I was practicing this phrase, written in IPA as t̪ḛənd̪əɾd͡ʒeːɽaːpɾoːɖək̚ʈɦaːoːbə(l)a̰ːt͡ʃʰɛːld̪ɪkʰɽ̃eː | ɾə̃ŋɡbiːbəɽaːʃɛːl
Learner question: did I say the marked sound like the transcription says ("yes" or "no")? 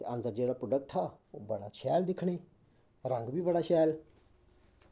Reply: no